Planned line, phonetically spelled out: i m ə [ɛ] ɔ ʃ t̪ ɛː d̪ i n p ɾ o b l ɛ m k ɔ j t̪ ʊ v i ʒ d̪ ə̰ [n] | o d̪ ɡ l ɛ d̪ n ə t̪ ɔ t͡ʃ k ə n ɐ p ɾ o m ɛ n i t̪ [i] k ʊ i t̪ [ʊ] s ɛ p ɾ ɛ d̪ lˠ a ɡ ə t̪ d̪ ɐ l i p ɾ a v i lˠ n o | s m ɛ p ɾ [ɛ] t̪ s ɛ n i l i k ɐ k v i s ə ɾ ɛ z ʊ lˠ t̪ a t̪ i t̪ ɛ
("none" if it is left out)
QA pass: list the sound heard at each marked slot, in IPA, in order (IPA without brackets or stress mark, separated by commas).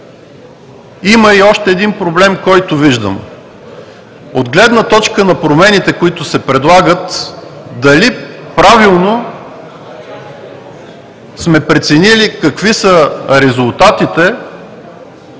i, m, ɛ, ʊ, ɛ